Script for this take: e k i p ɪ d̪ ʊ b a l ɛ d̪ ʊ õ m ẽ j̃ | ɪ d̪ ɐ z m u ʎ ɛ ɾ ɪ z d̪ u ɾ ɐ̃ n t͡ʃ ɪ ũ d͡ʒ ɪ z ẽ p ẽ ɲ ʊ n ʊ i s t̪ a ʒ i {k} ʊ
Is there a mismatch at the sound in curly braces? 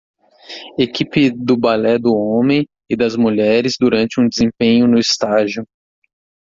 yes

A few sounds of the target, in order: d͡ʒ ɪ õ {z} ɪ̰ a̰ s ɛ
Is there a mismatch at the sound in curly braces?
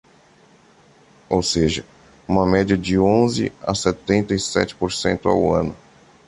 no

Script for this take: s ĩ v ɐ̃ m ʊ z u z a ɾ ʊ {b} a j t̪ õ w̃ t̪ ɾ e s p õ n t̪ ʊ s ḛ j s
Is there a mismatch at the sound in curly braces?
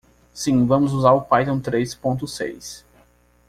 yes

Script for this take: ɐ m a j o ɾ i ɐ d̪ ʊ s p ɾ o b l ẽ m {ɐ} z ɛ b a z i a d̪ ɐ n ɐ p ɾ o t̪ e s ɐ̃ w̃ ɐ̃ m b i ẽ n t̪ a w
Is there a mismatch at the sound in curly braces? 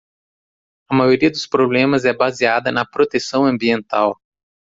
no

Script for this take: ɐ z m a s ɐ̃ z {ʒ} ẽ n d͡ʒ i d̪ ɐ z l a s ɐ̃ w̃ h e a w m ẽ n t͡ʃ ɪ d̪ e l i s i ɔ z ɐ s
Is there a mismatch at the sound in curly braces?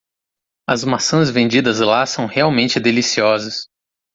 yes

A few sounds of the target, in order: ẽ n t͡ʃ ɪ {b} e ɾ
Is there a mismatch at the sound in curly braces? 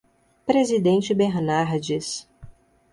no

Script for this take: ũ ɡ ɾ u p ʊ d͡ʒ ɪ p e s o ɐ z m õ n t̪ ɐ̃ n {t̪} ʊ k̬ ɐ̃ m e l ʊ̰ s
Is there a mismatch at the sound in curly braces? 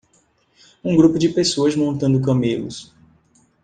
yes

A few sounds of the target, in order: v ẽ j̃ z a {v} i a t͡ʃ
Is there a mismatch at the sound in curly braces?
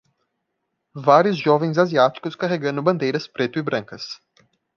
yes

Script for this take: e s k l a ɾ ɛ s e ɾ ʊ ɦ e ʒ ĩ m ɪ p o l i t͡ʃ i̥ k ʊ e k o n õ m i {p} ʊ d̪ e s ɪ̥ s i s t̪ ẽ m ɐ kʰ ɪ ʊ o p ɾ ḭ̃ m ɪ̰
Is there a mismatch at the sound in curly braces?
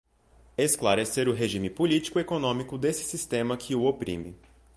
yes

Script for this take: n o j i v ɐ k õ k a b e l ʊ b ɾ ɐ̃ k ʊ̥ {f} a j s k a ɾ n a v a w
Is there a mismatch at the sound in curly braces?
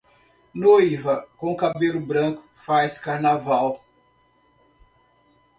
no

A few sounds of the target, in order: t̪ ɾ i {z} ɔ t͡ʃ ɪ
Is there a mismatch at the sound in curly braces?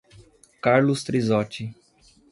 no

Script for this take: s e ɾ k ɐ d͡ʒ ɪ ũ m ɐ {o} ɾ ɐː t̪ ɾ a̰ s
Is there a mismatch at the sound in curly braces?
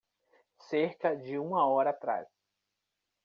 yes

